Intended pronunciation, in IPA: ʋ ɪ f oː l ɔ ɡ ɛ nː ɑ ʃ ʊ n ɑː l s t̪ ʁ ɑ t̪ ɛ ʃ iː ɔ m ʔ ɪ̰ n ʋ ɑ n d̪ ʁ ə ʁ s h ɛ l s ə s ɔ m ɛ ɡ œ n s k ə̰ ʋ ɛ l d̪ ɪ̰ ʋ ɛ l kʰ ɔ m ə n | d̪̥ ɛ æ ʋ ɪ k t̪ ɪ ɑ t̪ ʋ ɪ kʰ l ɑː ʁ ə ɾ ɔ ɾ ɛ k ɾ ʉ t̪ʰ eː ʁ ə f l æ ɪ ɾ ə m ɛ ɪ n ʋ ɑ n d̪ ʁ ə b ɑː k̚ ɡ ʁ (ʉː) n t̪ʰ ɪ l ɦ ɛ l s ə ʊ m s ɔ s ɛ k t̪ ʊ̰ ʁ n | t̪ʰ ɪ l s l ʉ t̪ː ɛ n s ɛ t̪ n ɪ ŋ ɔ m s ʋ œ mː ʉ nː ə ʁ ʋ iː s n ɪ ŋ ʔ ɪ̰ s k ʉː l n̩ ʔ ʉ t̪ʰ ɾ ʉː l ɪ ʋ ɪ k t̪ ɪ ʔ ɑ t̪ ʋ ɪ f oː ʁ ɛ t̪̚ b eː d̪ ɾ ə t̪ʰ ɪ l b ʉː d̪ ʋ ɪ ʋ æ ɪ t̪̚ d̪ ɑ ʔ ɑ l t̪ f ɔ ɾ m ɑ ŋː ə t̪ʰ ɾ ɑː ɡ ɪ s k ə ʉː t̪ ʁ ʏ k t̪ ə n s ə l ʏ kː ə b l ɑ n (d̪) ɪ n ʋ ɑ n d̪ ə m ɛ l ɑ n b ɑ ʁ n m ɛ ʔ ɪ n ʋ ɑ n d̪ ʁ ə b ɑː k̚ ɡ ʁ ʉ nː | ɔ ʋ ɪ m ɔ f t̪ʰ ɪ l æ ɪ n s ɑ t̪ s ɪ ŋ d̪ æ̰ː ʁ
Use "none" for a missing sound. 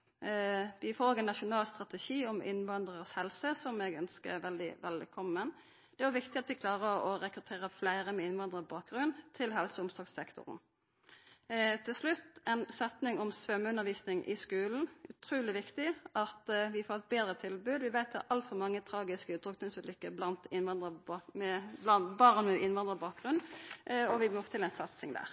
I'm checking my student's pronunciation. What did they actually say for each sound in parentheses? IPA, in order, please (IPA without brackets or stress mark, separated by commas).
ʉ, t̪